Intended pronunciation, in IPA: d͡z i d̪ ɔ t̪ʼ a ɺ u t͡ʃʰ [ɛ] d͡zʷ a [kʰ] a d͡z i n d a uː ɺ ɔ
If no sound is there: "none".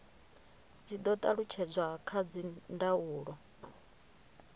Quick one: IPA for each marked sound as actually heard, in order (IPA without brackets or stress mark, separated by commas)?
ɛ, kʰ